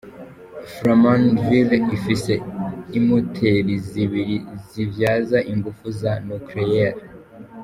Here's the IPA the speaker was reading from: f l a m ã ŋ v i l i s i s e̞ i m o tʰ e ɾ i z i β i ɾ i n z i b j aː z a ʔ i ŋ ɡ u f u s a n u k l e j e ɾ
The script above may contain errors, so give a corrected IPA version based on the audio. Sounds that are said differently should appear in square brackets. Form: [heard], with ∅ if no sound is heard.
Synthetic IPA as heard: f [ɾ] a m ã [n] v i l i [f] i s e̞ i m o tʰ e ɾ i z i β i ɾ i [∅] z i [v] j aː z a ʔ i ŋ ɡ u f u [z] a n u k l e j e ɾ